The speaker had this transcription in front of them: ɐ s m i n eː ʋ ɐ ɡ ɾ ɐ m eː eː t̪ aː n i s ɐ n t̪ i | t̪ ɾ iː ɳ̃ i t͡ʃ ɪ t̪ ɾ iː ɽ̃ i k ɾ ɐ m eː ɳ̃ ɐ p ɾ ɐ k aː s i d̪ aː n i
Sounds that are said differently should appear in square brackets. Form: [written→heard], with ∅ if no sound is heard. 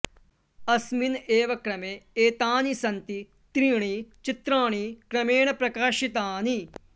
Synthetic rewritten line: ɐ s m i n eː ʋ ɐ [ɡ→k] ɾ ɐ m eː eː t̪ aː n i s ɐ n t̪ i | t̪ ɾ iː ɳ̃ i t͡ʃ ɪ t̪ ɾ [iː→aː] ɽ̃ i k ɾ ɐ m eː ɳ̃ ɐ p ɾ ɐ k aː [s→ʃ] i [d̪→t̪] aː n i